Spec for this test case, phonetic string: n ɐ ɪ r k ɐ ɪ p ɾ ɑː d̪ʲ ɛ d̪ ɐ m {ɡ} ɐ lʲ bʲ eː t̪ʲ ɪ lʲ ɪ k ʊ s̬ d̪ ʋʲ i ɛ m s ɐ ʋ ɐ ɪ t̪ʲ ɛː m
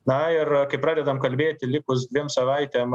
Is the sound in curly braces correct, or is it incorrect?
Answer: incorrect